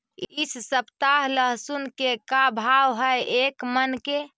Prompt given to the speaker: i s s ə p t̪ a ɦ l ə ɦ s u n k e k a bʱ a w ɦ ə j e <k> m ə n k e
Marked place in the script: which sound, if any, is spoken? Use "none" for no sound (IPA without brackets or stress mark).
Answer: k